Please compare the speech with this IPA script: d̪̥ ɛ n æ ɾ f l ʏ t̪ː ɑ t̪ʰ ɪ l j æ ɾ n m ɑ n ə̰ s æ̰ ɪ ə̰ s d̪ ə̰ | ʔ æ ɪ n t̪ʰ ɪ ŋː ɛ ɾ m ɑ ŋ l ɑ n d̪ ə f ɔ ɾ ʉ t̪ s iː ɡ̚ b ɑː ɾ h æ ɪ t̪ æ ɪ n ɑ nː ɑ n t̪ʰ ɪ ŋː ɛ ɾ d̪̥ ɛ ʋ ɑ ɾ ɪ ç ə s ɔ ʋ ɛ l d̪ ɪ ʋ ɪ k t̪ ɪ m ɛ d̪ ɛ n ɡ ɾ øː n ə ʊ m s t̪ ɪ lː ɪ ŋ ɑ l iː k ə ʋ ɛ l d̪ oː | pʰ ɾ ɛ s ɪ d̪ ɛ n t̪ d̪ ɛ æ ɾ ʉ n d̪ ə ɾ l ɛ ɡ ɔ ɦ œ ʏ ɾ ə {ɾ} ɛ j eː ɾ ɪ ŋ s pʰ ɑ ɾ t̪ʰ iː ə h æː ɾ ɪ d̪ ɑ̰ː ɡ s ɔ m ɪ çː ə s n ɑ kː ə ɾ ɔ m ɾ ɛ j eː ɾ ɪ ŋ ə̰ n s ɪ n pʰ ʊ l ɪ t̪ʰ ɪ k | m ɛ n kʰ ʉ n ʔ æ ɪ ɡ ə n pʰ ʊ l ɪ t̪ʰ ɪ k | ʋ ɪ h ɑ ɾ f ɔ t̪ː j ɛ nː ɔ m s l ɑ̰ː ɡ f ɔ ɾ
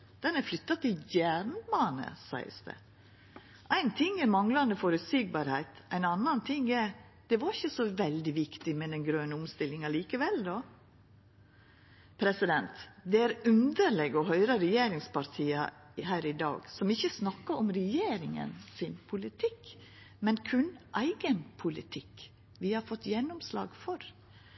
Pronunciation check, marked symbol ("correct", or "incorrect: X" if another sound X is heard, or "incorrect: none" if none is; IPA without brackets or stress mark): correct